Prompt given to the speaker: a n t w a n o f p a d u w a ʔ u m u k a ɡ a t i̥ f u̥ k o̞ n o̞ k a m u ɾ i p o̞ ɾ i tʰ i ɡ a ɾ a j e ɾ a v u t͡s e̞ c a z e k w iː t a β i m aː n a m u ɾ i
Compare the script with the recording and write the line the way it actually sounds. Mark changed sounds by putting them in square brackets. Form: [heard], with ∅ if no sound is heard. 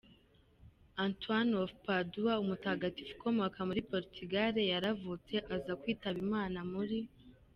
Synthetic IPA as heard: a n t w a n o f p a d u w a [∅] u m u [t] a ɡ a t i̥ f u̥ k o̞ [m] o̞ k a m u ɾ i p o̞ ɾ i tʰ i ɡ a ɾ [e] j [a] ɾ a v u t͡s e̞ [ʔ] a z [a] k w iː t a β i m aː n a m u ɾ i